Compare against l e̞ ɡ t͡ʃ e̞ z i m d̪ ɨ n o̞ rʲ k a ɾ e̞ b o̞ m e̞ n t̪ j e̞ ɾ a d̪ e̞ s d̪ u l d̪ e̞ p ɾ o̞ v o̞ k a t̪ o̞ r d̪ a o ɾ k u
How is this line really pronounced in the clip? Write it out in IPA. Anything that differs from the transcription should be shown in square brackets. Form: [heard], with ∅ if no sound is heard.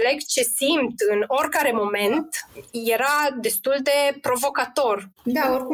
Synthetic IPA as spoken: l e̞ ɡ t͡ʃ e̞ [s] i m [t̪] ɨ n o̞ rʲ k a ɾ e̞ [m] o̞ m e̞ n t̪ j e̞ ɾ a d̪ e̞ s [t̪] u l d̪ e̞ p ɾ o̞ v o̞ k a t̪ o̞ r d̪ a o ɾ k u